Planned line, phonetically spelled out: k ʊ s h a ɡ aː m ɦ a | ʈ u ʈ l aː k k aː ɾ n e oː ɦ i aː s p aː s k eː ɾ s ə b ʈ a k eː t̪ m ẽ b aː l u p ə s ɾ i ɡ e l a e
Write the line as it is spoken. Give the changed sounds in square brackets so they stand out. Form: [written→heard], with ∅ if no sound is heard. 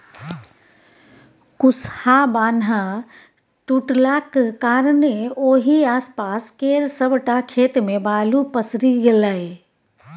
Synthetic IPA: k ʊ s h a [ɡ→b] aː [m→n] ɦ a | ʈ u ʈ l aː k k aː ɾ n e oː ɦ i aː s p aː s k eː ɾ s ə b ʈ a [k→kʰ] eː t̪ m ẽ b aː l u p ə s ɾ i ɡ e l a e

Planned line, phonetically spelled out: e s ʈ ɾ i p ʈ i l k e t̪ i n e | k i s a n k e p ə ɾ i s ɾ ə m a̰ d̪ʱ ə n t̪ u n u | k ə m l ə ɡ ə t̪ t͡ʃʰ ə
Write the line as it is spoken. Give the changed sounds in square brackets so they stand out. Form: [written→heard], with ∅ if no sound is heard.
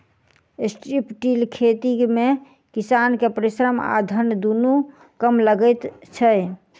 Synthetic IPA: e s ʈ ɾ i p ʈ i l [k→kʰ] e t̪ i [n→m] e | k i s a n k e p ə ɾ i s ɾ ə m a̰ d̪ʱ ə n [t̪→d̪] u n u | k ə m l ə ɡ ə t̪ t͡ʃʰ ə

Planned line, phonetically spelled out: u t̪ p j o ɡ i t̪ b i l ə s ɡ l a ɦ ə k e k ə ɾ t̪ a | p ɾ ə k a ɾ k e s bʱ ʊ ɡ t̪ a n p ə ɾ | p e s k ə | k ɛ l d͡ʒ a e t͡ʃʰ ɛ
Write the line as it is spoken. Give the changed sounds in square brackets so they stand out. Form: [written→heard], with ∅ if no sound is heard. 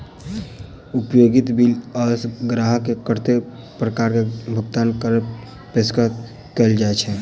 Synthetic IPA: u [t̪→∅] p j o ɡ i t̪ b i l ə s ɡ [l→ɾ] a ɦ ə k e k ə ɾ t̪ [a→e] | p ɾ ə k a ɾ k e [s→∅] bʱ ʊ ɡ t̪ a n [p→k] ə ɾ | p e s k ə | k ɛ l d͡ʒ a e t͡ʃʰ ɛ

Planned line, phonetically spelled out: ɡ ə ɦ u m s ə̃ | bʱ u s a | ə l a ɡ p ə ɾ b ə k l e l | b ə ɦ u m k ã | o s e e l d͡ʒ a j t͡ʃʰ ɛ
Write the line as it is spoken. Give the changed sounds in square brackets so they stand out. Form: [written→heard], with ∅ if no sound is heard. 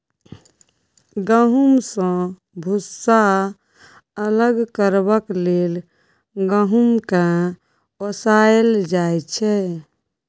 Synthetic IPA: ɡ ə ɦ u m s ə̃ | bʱ u s a | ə l [a→ə] ɡ [p→k] ə ɾ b ə k l e l | [b→ɡ] ə ɦ u m k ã | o s [e→a] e l d͡ʒ a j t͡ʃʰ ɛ

